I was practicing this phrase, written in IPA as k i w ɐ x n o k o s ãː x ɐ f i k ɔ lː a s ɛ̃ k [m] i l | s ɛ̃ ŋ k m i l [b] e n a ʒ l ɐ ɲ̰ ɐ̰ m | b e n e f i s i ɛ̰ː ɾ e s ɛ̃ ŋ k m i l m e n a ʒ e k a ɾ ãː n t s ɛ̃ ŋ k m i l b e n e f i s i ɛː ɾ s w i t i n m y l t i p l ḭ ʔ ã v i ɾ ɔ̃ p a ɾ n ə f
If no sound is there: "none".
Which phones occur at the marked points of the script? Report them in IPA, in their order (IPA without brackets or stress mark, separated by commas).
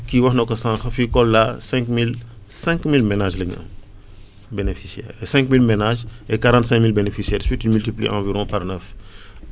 m, m